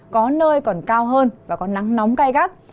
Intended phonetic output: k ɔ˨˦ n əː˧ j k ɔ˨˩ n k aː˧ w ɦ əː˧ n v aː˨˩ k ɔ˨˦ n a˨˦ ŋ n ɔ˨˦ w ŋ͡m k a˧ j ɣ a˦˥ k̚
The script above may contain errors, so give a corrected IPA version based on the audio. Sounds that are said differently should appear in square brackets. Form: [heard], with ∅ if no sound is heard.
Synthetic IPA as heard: k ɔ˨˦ n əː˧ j k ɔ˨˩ n k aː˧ w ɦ əː˧ n v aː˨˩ k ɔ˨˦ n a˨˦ ŋ n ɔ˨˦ w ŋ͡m k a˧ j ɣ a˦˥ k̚

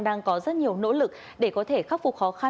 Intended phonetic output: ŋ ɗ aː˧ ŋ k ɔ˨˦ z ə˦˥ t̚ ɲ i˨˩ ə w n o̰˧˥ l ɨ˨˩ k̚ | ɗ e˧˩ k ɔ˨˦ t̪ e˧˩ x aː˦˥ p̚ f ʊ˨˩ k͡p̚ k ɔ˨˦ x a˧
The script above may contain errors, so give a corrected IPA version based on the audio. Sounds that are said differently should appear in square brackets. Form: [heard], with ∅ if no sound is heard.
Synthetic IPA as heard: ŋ ɗ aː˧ ŋ k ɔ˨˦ z ə˦˥ t̚ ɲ i˨˩ ə w n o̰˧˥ l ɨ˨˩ k̚ | ɗ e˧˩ k ɔ˨˦ [t̪ʰ] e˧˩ x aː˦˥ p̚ f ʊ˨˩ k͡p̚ [x] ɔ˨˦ x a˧

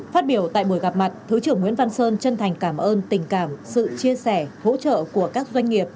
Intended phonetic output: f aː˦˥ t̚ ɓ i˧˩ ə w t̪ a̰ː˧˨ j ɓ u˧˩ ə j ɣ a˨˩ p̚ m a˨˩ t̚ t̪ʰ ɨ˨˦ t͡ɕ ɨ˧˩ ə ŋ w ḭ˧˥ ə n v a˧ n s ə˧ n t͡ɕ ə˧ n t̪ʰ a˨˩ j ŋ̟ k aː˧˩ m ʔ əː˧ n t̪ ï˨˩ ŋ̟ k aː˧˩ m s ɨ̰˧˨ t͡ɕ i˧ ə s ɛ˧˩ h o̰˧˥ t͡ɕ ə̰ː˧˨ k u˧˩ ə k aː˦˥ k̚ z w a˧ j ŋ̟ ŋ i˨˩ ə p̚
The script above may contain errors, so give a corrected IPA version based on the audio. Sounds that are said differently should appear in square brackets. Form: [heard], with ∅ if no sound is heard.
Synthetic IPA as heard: f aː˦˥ t̚ ɓ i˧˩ ə w t̪ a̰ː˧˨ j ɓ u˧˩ ə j ɣ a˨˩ p̚ m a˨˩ t̚ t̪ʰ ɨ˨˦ t͡ɕ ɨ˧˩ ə ŋ w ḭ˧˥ ə n v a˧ n s [əː˧] n t͡ɕ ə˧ n t̪ʰ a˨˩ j ŋ̟ k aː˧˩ m ʔ əː˧ n t̪ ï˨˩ ŋ̟ k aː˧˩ m s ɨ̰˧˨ t͡ɕ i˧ ə s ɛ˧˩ h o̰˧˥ t͡ɕ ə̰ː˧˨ k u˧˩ ə k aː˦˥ k̚ z w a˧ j ŋ̟ ŋ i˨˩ ə p̚

